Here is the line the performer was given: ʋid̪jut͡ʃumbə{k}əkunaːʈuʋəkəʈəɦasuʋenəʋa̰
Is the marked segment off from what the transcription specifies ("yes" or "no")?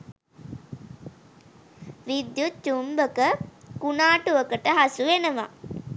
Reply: no